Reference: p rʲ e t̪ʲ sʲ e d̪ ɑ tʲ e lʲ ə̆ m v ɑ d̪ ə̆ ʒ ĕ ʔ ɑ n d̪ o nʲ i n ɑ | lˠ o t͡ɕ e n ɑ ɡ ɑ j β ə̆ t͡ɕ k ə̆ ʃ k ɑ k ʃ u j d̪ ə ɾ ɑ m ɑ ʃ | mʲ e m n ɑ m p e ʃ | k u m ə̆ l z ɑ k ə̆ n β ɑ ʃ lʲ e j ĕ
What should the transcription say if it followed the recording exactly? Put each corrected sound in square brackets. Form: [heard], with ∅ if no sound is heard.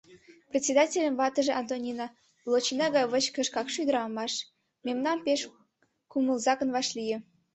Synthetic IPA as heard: p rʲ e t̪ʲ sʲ e d̪ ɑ tʲ e lʲ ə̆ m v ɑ [t̪] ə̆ ʒ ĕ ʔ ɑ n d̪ o nʲ i n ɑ | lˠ o t͡ɕ [i] n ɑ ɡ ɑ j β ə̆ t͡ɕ k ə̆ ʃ k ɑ k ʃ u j d̪ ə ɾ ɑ m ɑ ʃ | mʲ e m n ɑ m p e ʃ | k u m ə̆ l z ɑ k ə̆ n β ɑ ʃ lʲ [i] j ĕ

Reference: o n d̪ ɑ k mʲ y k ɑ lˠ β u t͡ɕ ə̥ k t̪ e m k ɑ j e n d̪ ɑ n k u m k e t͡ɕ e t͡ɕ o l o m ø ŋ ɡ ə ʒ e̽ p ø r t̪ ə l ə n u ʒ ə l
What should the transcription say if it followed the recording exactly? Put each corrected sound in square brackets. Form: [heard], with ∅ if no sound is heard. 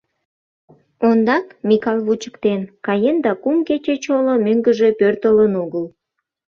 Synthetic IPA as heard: o n d̪ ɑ k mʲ [i] k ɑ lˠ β u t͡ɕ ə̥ k t̪ e [n] k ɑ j e n d̪ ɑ [∅] k u m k e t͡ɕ e t͡ɕ o l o m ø ŋ ɡ ə ʒ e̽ p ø r t̪ ə l ə n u [ɣ] ə l

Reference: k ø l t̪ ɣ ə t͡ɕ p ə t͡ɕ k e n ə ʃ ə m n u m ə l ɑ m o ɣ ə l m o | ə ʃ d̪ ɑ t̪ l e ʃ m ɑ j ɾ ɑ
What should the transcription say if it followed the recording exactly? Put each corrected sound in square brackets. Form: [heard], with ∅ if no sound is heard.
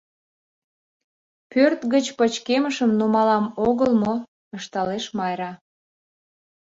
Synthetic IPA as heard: [p] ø [r] t̪ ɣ ə t͡ɕ p ə t͡ɕ k e [m] ə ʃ ə m n u m [ɑ] l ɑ m o ɣ ə l m o | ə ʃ [t̪] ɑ [∅] l e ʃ m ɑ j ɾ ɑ

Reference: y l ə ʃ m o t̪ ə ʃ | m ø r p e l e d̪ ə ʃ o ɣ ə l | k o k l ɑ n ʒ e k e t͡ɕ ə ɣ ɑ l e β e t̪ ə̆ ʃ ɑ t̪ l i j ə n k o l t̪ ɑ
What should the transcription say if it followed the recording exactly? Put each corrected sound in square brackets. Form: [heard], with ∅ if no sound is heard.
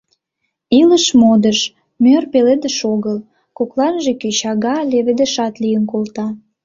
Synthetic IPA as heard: [i] l ə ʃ m o [d̪] ə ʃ | m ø r p e l e d̪ ə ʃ o ɣ ə l | k o k l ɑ n ʒ e k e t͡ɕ [ɑ] ɣ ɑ l e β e [d̪] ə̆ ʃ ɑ t̪ l i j ə n k o l t̪ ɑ

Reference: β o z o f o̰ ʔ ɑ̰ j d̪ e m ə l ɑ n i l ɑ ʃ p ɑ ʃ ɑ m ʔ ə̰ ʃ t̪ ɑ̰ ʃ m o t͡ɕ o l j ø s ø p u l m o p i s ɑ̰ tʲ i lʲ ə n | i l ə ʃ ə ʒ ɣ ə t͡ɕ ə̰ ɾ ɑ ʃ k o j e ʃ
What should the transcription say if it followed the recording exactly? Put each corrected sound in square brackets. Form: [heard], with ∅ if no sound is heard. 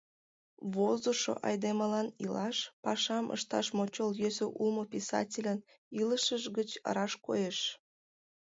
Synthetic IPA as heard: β o z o [ʃ] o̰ ʔ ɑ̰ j d̪ e m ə l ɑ n i l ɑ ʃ p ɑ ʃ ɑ m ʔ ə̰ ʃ t̪ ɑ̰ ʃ m o t͡ɕ o l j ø s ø [ʔ] u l m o p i s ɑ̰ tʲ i lʲ ə n | i l ə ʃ ə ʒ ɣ ə t͡ɕ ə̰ ɾ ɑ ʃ k o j e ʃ

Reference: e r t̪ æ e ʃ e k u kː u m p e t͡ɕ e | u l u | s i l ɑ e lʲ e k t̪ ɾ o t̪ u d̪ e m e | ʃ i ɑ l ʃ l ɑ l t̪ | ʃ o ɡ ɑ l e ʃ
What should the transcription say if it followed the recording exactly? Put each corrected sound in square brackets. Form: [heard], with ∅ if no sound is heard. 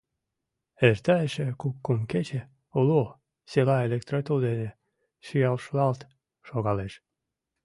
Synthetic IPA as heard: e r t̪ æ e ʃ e k u kː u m [k] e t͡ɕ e | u l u | s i l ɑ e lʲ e k t̪ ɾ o t̪ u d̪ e [n] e | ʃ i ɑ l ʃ l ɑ l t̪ | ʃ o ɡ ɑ l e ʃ

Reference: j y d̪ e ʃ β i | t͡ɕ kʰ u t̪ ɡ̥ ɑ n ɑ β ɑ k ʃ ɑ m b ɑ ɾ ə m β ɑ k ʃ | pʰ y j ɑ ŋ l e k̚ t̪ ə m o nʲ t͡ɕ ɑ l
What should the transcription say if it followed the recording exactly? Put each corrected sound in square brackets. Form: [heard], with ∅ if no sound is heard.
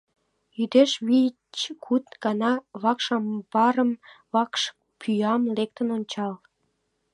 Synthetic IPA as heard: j y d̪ e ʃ β i | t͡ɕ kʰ u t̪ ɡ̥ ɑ n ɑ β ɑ k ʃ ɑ m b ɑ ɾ ə m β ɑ k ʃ | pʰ y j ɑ [m] l e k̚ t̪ ə [n] o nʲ t͡ɕ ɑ l

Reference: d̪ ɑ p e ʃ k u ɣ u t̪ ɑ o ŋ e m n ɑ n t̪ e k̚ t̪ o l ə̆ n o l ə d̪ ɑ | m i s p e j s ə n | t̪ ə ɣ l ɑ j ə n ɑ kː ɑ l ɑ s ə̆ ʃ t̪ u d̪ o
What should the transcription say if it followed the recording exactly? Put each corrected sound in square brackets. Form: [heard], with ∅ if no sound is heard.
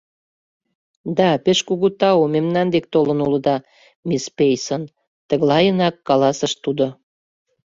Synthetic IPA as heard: d̪ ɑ p e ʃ k u ɣ u t̪ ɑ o [m] e m n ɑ n [d̪] e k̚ t̪ o l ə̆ n [u] l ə d̪ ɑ | m i s p e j s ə n | t̪ ə ɣ l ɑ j ə n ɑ kː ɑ l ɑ s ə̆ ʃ t̪ u d̪ o

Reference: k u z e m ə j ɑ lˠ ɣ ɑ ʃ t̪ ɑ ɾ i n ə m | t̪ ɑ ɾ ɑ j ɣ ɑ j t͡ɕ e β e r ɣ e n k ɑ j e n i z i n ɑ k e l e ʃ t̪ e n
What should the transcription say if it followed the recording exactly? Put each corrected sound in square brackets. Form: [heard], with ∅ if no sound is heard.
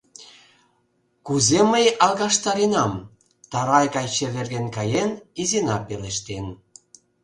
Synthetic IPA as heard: k u z e m ə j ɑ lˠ ɣ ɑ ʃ t̪ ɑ ɾ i n [ɑ] m | t̪ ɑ ɾ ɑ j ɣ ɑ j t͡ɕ e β e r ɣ e n k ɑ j e n i z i n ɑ [p] e l e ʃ t̪ e n

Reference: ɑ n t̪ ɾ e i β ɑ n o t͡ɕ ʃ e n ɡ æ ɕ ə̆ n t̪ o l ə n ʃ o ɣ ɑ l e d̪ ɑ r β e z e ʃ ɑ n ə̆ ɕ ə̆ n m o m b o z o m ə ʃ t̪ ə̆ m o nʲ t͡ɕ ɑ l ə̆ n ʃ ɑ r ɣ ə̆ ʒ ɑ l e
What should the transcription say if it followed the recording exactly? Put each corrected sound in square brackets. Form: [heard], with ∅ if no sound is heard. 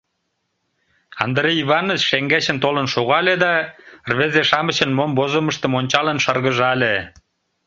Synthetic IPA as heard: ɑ n [d̪] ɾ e i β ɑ n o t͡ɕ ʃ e [ŋ] ɡ æ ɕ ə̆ n t̪ o l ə n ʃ o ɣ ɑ l e d̪ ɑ r β e z e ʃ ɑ [m] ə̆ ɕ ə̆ n m o m b o z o m ə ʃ t̪ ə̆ m o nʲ t͡ɕ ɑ l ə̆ n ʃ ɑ r ɣ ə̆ ʒ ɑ l e

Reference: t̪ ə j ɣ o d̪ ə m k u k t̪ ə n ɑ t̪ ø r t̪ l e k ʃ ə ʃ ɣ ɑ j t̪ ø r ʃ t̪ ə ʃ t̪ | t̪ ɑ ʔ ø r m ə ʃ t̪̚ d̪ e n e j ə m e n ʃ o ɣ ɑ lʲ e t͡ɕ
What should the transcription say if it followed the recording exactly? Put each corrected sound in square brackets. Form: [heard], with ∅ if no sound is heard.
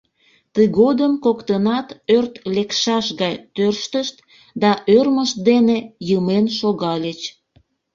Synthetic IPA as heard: t̪ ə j ɣ o d̪ ə m k [o] k t̪ ə n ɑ t̪ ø r t̪ l e k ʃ [ɑ] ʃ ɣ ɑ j t̪ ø r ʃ t̪ ə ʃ t̪ | [d̪] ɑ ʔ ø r m ə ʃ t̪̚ d̪ e n e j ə m e n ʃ o ɣ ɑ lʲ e t͡ɕ

